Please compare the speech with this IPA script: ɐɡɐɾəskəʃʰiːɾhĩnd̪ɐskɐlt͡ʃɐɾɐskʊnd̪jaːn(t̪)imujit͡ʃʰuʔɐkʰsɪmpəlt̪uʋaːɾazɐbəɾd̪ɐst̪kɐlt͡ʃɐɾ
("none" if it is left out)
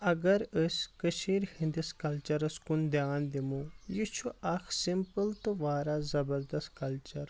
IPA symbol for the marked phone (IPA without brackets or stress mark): d̪